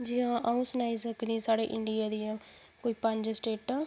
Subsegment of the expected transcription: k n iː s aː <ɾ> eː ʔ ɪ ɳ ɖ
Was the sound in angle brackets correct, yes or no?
no